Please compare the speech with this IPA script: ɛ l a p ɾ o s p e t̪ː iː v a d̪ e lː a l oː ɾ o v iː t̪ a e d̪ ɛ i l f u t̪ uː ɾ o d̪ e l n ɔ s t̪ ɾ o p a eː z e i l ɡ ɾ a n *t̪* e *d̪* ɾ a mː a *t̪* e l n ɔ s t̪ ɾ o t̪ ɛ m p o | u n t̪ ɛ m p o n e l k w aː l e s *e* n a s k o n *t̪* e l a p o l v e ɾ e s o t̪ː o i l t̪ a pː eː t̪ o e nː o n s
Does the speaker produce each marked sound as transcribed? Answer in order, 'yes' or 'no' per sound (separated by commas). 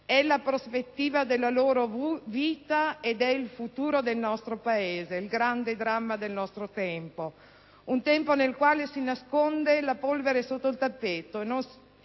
no, yes, no, no, no